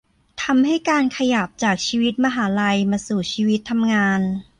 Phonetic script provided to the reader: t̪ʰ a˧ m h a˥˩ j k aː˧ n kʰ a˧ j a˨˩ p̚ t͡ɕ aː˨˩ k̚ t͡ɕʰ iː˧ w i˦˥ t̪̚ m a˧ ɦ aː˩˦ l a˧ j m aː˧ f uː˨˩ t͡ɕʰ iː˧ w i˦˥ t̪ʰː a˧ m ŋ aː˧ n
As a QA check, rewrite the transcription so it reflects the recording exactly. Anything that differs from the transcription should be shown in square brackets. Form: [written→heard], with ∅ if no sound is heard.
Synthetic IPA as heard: t̪ʰ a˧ m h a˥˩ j k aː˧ n kʰ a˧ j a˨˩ p̚ t͡ɕ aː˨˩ k̚ t͡ɕʰ iː˧ w i˦˥ t̪̚ m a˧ ɦ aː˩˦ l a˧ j m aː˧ [f→s] uː˨˩ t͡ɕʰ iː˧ w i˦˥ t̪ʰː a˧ m ŋ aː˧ n